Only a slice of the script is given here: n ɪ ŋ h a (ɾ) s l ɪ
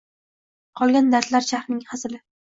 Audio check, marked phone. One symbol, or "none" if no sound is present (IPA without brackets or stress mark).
none